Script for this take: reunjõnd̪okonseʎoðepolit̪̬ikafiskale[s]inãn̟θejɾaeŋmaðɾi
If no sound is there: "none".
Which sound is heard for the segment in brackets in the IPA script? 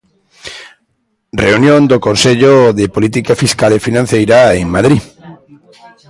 f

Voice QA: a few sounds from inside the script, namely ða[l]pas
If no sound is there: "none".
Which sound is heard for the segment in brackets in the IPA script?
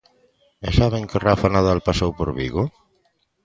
l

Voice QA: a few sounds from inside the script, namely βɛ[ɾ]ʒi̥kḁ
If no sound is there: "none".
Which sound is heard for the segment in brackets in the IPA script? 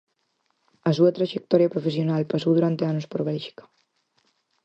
l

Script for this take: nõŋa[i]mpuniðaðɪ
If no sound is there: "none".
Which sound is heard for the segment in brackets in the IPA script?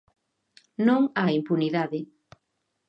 i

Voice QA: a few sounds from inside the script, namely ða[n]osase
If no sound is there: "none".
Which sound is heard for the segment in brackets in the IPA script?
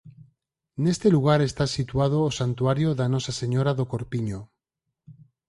n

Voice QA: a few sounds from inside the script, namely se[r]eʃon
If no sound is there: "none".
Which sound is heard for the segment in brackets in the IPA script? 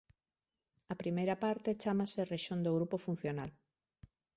r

